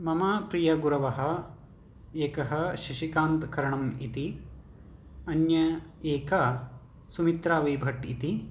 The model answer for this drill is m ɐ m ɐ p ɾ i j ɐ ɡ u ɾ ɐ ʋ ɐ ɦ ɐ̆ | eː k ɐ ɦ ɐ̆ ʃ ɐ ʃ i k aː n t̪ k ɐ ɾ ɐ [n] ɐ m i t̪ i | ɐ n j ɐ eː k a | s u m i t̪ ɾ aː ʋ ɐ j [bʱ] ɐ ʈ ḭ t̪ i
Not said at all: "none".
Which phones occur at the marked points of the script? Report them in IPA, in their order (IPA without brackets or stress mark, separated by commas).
ɳ, bʱ